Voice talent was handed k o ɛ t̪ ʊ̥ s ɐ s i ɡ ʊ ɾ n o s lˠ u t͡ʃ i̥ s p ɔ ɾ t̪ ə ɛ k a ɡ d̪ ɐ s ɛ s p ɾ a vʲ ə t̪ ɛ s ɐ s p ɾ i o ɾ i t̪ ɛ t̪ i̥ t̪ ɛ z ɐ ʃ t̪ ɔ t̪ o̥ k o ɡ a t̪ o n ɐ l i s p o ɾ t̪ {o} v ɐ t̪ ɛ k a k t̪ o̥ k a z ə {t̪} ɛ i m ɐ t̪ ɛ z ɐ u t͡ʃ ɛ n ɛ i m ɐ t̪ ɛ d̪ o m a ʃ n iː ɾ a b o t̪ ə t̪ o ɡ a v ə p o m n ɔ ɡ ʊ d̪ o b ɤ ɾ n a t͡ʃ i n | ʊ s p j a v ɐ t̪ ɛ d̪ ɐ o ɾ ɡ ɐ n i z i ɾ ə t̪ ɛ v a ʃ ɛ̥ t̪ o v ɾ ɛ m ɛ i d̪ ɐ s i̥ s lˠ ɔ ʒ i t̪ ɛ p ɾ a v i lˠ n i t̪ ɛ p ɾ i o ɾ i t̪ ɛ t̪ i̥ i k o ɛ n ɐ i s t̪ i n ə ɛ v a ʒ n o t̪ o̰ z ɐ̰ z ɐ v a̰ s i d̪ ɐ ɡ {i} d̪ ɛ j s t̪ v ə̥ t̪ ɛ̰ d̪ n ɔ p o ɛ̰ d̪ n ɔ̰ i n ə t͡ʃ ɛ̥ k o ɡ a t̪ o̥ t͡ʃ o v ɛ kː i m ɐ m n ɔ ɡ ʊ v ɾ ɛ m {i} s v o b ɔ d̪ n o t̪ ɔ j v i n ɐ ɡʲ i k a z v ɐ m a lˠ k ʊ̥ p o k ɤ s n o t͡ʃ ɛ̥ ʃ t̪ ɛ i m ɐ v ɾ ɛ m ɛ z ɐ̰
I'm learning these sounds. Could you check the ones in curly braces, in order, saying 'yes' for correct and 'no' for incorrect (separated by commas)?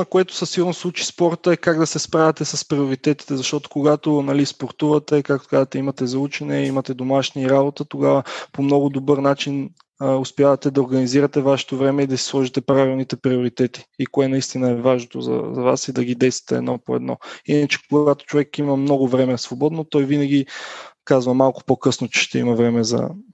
no, yes, yes, no